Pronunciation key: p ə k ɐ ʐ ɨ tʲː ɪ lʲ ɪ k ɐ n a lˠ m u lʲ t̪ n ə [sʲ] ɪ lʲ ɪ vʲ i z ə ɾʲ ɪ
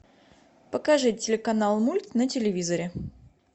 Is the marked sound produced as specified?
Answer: no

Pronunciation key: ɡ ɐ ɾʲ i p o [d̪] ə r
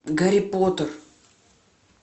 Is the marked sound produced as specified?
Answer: no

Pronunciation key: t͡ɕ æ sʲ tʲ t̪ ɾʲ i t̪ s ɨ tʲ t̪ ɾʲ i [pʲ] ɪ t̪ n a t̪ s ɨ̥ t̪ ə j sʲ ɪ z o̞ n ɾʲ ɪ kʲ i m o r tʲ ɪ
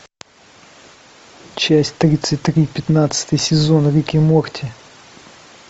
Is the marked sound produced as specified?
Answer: yes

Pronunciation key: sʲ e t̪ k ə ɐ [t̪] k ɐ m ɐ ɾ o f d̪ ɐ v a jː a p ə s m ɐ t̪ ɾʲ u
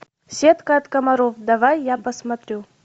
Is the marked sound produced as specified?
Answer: yes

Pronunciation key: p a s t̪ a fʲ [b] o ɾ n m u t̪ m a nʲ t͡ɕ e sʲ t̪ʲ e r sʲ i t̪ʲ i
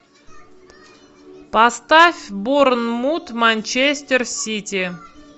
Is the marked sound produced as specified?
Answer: yes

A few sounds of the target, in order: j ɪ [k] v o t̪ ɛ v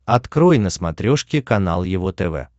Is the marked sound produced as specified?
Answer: no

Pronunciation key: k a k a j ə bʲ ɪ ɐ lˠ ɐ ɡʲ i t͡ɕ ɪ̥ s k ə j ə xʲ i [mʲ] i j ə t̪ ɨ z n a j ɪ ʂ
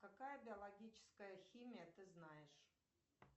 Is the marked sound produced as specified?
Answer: yes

